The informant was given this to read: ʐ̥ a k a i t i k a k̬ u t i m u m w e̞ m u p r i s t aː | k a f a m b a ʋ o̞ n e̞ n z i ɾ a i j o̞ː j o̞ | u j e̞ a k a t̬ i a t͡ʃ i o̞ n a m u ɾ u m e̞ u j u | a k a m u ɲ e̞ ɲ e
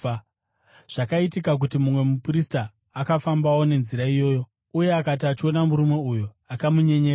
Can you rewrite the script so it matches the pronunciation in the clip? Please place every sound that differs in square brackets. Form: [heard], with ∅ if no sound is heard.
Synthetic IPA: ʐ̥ a k a i t i k a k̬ u t i m u m w e̞ m u p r i s t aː | k a f a m b a [w] o̞ n e̞ n z i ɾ a i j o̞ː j o̞ | u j e̞ a k a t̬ i a t͡ʃ i o̞ n a m u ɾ u m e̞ u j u | a k a m u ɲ e̞ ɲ e